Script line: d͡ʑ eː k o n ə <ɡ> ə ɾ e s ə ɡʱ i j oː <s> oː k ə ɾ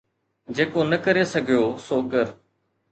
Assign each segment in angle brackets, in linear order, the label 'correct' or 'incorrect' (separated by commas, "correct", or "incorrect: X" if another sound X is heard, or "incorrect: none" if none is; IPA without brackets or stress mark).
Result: incorrect: k, correct